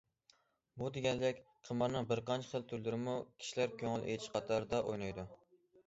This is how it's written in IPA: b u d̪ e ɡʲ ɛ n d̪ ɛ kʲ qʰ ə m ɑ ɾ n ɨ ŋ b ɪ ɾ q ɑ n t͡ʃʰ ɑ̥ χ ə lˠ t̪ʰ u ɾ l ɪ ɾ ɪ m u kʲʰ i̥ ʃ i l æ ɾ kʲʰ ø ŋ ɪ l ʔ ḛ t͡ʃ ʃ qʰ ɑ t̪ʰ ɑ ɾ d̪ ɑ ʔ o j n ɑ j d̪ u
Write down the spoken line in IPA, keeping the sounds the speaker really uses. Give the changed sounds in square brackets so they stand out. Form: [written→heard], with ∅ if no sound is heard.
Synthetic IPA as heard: b u d̪ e ɡʲ ɛ n d̪ ɛ kʲ qʰ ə m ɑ ɾ n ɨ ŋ b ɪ ɾ q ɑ n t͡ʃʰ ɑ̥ χ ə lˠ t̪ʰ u ɾ l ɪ ɾ ɪ m u kʲʰ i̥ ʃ i l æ ɾ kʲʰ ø ŋ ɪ l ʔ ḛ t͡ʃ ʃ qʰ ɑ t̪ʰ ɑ ɾ d̪ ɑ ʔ o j n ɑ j d̪ u